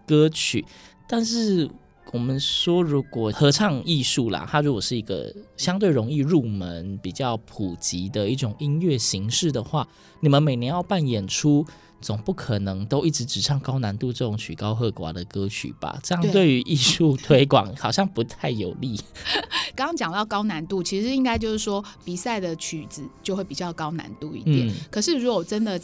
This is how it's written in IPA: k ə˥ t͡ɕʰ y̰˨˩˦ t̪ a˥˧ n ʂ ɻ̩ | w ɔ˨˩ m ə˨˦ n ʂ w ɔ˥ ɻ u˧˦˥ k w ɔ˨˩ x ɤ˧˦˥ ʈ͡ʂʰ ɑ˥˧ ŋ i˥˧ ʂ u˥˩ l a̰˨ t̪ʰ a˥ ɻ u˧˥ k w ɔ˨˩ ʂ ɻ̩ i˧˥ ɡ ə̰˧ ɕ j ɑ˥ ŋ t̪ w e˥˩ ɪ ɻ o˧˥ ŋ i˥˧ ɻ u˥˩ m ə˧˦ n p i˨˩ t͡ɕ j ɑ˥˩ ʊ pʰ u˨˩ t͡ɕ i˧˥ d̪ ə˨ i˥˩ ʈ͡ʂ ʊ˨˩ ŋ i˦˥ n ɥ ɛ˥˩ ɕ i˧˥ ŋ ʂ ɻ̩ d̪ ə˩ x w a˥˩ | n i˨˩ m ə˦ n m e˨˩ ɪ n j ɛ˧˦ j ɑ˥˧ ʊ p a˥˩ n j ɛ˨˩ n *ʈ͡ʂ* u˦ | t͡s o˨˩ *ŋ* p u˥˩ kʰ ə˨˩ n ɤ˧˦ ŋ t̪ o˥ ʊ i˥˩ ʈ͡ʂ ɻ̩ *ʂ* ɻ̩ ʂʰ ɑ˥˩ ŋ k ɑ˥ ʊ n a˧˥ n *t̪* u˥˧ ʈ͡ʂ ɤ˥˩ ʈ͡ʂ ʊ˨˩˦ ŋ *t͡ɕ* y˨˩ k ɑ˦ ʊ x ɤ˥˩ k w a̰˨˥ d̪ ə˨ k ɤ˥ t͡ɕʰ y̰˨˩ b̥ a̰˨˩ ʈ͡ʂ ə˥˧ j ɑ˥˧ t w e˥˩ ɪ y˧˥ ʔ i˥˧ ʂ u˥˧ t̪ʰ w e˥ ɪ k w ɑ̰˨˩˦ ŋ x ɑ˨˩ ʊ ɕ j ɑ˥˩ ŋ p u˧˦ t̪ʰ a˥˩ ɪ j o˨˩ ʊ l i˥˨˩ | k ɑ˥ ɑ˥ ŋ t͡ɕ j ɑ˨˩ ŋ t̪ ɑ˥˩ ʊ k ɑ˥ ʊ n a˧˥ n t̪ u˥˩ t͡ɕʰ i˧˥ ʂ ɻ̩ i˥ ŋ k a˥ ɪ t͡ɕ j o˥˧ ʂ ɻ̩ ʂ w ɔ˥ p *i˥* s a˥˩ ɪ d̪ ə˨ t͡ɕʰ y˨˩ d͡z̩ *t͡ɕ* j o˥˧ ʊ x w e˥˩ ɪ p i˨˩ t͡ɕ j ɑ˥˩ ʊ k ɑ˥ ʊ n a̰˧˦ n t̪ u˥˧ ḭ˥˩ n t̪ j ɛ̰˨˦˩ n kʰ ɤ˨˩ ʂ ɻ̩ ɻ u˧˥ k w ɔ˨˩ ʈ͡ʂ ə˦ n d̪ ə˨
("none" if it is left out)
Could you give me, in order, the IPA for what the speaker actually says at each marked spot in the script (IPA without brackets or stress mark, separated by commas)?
ʈ͡ʂʰ, ŋ, ʈ͡ʂ, t̪, t͡ɕʰ, i˨˩, t͡ɕ